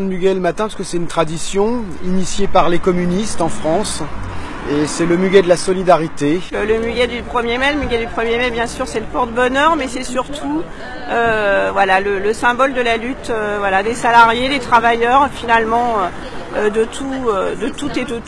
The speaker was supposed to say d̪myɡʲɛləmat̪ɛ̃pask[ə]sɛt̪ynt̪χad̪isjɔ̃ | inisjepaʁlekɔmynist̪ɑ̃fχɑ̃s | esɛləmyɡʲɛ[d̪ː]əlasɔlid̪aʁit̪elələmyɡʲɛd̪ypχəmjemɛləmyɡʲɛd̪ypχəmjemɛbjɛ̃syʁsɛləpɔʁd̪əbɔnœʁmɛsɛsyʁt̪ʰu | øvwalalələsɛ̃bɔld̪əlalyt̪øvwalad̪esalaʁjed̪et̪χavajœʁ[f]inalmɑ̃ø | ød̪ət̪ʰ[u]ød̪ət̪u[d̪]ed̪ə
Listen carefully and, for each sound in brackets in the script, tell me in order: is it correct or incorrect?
correct, incorrect: d̪, correct, correct, incorrect: t̪

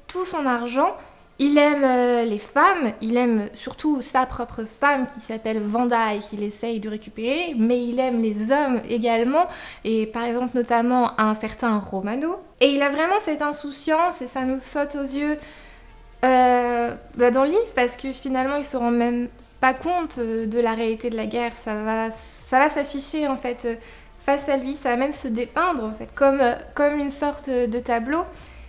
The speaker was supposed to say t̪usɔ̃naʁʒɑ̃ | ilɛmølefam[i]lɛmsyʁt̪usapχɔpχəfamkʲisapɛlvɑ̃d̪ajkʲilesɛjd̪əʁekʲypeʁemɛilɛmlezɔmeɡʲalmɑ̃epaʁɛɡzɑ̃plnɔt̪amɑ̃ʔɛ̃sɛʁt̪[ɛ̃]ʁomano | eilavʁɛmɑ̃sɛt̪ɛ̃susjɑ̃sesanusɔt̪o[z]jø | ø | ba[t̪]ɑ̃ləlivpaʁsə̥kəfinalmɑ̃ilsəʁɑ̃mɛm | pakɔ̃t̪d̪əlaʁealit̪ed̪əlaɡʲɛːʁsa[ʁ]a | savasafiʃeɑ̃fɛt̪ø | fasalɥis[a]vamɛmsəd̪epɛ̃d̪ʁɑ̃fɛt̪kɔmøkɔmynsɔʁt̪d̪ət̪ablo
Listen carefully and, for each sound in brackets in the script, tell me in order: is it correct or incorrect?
correct, correct, correct, incorrect: d̪, incorrect: v, correct

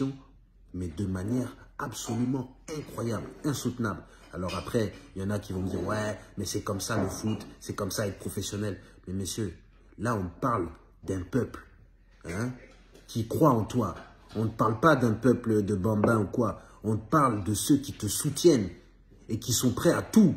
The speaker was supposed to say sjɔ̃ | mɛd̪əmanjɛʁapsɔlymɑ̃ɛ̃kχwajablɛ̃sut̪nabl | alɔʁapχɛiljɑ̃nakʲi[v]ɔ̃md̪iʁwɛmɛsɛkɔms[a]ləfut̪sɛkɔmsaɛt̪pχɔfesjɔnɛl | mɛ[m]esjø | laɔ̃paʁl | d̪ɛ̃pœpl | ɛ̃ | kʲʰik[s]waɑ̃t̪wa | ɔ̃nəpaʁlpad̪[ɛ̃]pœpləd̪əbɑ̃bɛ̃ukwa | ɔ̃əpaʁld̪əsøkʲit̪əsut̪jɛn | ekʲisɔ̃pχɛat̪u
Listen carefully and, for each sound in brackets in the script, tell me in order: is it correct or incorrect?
correct, correct, correct, incorrect: χ, correct

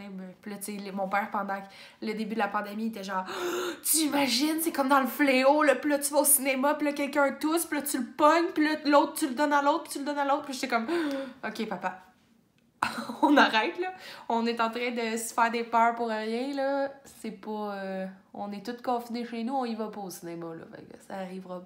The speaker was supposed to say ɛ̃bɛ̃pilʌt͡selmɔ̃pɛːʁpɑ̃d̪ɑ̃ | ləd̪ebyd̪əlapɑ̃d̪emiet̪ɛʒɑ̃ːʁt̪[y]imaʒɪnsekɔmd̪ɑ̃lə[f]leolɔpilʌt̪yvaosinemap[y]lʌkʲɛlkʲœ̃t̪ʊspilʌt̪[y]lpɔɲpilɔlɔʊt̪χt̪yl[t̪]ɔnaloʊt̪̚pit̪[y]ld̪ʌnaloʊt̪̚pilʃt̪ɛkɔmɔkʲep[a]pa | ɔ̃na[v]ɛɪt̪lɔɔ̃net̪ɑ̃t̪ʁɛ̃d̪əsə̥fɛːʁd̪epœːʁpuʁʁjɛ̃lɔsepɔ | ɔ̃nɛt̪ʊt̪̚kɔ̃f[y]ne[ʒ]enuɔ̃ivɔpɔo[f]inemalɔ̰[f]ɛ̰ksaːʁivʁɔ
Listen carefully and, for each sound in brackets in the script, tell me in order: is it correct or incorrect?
correct, correct, incorrect: i, correct, incorrect: d̪, correct, correct, incorrect: ʁ, incorrect: i, incorrect: ʃ, incorrect: s, correct

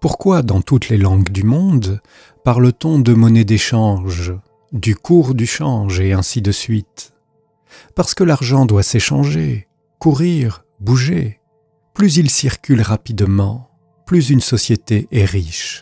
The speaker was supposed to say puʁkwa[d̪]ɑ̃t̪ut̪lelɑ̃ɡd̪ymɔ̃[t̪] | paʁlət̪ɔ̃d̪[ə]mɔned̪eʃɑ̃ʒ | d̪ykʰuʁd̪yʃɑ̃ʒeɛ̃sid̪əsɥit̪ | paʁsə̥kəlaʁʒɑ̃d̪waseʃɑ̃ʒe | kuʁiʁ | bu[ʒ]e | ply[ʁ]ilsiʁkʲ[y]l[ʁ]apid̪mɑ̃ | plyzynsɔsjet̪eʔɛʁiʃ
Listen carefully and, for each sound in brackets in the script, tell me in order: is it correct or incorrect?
correct, incorrect: d̪, correct, correct, incorrect: z, correct, correct

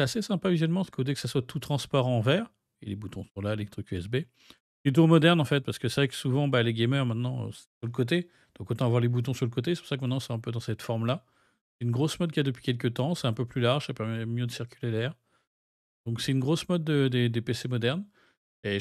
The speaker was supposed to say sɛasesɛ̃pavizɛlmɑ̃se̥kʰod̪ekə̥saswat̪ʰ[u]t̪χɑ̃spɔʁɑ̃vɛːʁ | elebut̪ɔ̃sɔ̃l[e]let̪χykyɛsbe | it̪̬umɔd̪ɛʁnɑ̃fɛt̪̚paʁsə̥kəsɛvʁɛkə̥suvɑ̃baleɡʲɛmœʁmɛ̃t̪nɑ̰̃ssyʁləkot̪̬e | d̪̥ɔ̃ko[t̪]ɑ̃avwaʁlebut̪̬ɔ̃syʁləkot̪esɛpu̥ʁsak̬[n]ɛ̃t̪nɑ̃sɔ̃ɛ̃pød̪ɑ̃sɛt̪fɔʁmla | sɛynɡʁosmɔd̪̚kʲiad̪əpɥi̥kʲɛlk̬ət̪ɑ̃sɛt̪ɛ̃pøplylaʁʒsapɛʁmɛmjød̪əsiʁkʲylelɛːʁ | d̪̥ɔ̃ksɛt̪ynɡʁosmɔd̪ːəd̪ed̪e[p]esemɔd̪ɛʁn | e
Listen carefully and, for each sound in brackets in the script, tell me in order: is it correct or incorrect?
correct, incorrect: a, correct, incorrect: m, correct

